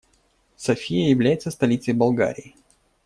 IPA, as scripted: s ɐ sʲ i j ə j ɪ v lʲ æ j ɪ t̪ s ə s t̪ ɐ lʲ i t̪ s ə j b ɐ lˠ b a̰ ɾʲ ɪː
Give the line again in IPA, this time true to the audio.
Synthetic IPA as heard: s ɐ fʲ i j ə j ɪ v lʲ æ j ɪ t̪ s ə s t̪ ɐ lʲ i t̪ s ə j b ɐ lˠ ɡ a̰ ɾʲ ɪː